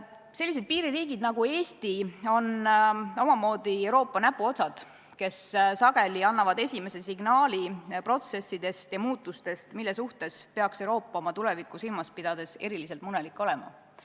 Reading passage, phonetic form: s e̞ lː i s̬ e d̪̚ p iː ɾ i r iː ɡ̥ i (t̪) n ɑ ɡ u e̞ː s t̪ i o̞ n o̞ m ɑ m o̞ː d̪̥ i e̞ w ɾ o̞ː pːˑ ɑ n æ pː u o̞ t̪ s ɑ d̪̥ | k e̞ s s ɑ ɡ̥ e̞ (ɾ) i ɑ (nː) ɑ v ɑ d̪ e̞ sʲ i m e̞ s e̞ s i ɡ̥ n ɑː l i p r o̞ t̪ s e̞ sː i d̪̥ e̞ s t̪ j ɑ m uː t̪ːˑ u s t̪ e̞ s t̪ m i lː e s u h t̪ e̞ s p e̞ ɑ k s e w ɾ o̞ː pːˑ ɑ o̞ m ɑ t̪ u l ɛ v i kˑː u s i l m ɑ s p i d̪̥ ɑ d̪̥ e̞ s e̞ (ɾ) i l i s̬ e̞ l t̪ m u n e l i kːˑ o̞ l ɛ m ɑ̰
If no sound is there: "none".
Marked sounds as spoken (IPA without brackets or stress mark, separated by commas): d̪, l, nː, ɾ